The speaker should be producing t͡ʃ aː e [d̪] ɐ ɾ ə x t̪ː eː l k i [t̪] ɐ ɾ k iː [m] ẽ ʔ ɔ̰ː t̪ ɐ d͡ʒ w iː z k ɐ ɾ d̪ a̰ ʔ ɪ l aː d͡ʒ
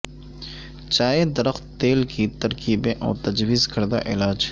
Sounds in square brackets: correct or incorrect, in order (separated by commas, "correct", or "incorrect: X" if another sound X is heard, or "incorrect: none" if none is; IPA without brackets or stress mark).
correct, correct, incorrect: b